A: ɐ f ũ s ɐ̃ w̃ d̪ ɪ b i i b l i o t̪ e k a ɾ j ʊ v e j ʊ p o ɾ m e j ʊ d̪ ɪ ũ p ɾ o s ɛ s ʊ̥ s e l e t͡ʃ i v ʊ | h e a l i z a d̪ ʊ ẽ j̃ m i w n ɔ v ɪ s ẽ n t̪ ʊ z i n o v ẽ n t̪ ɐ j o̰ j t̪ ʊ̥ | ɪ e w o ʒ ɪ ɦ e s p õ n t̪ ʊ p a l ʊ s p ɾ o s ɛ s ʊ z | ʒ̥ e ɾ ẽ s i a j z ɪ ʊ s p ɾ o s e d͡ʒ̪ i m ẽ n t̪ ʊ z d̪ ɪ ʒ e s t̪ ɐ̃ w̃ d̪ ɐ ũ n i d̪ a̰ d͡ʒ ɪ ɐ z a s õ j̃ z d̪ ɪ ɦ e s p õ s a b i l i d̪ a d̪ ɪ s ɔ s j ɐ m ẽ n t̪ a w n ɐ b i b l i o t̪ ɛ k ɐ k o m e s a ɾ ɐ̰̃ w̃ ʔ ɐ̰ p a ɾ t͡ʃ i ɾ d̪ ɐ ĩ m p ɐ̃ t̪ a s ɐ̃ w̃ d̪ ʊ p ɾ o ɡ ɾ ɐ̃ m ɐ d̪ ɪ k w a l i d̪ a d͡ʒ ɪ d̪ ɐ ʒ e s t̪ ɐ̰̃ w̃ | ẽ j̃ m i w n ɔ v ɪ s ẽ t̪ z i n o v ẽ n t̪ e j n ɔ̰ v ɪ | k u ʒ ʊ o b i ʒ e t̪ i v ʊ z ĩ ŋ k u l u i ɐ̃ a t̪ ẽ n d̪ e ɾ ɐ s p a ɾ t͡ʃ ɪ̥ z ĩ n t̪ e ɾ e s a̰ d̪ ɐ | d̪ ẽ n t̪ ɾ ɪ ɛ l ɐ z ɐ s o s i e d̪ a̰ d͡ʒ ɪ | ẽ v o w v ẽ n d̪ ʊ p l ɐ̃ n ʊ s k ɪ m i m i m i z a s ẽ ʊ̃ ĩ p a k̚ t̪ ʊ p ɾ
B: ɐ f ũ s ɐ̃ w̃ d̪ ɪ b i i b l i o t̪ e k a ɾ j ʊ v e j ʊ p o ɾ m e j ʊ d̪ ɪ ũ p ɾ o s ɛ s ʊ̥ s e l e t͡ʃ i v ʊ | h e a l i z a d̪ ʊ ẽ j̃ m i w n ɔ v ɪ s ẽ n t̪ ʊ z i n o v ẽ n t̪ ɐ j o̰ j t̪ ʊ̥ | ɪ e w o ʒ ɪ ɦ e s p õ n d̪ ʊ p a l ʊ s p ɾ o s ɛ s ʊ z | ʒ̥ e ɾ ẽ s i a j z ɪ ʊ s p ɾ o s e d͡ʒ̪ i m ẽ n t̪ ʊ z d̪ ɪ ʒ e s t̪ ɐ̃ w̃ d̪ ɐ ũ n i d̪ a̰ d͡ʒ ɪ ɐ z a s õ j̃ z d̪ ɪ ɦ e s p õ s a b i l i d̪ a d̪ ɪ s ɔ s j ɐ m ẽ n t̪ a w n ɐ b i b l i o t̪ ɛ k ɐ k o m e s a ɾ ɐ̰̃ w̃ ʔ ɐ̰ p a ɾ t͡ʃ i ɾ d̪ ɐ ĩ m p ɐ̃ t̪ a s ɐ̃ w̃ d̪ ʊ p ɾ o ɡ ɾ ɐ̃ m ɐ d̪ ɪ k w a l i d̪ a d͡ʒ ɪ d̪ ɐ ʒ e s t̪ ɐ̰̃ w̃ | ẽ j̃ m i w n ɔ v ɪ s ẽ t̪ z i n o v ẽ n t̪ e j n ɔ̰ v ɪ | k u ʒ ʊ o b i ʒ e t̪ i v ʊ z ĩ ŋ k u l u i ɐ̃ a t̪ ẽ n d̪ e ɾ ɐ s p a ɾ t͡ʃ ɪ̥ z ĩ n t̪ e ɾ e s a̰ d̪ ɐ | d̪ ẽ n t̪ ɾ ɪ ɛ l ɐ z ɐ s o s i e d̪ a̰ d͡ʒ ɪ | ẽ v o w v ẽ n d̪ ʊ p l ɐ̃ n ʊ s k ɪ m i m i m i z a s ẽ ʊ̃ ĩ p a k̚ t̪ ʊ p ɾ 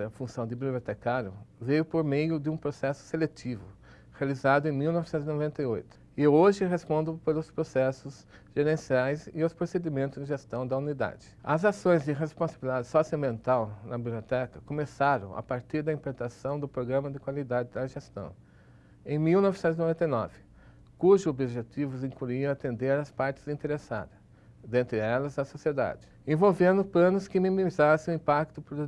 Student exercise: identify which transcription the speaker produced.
B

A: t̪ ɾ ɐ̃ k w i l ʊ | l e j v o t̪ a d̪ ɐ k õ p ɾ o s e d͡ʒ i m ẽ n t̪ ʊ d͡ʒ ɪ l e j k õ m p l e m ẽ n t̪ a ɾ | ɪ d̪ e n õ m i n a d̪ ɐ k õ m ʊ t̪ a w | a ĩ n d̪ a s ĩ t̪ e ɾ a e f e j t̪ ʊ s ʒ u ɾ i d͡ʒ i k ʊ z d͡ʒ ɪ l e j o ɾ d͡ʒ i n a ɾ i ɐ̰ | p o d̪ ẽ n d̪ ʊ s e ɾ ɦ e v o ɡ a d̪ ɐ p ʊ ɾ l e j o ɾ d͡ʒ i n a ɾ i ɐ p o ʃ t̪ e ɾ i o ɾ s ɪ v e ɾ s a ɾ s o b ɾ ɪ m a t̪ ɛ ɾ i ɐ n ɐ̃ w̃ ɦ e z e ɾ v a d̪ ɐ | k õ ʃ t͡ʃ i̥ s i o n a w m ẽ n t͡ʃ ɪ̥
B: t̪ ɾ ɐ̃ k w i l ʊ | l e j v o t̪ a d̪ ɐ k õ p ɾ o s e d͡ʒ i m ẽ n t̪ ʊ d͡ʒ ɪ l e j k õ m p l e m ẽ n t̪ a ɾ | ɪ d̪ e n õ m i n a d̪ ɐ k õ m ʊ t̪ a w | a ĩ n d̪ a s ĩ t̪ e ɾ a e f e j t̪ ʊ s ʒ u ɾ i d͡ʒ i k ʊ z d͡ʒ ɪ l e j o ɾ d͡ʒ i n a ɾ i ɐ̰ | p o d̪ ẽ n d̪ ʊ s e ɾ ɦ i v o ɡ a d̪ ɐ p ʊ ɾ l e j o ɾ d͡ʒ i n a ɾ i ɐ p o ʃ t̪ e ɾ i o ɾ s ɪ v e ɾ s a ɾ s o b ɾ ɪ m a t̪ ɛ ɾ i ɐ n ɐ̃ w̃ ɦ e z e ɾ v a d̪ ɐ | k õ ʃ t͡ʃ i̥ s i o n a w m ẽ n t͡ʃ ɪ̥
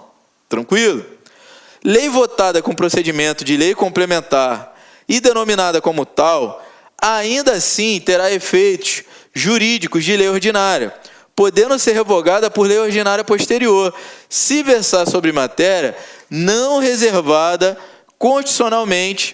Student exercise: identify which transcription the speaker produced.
A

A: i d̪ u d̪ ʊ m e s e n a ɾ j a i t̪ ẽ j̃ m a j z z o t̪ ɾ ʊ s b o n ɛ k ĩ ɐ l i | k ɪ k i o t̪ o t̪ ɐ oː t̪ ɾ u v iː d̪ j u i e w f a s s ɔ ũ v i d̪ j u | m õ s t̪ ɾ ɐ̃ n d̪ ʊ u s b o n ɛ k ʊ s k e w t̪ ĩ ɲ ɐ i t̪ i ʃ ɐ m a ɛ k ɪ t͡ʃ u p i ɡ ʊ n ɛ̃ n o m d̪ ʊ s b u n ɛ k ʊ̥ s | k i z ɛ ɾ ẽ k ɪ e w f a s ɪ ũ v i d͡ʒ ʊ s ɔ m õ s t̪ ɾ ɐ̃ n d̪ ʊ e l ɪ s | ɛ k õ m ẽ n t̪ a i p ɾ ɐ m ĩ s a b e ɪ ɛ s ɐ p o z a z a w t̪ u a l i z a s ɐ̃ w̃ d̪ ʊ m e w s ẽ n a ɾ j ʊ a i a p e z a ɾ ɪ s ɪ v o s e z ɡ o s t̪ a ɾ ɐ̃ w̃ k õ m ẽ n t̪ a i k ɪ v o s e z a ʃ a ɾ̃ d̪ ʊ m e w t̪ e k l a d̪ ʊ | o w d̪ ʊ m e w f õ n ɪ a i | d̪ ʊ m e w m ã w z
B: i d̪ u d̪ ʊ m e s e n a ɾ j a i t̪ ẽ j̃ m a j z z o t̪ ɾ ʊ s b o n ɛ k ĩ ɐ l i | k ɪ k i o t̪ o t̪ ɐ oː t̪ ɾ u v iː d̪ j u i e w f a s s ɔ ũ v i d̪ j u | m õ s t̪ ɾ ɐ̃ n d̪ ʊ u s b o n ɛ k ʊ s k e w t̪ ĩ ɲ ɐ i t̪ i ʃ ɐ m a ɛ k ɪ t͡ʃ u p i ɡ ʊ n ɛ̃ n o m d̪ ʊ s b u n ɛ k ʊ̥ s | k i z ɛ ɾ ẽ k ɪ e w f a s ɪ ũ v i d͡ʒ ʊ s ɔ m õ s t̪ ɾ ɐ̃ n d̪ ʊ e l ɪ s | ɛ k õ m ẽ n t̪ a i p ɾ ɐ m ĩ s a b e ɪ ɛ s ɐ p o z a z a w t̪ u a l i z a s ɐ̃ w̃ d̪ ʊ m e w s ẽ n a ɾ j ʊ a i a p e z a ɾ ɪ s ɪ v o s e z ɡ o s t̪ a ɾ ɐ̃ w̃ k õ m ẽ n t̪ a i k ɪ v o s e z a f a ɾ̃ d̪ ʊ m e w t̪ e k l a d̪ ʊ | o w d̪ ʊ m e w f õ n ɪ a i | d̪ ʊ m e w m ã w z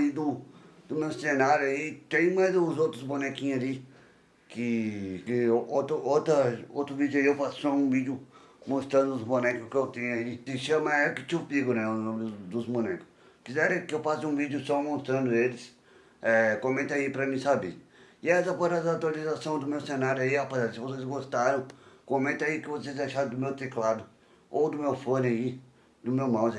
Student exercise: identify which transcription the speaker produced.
A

